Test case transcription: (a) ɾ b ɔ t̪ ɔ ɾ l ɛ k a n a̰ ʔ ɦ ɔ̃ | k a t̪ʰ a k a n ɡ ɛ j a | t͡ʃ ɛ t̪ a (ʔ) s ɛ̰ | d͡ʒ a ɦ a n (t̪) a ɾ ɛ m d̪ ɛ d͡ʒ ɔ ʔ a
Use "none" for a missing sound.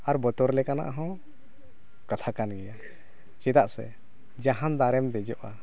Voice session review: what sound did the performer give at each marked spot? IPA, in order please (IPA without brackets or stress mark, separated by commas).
a, ʔ, d̪